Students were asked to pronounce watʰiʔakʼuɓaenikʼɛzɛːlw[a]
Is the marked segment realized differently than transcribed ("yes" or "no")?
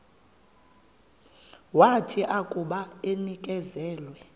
yes